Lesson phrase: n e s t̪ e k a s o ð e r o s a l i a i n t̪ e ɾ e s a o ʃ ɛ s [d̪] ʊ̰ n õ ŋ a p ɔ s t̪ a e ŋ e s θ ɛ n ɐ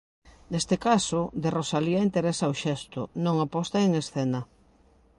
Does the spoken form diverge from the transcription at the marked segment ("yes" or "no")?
yes